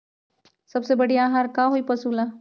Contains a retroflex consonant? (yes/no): yes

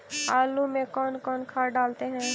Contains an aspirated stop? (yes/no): yes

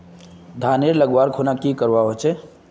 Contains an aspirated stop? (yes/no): yes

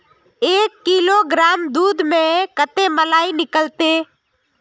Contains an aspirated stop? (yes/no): no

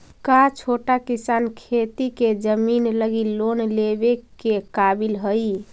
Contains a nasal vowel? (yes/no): no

